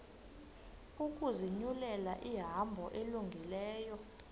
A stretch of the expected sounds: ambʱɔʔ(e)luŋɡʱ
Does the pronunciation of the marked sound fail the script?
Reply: no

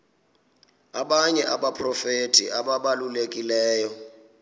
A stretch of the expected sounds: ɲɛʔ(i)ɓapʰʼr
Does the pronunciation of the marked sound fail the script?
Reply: yes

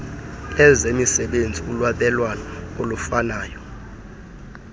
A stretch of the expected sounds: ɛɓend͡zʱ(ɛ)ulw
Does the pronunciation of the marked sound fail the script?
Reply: yes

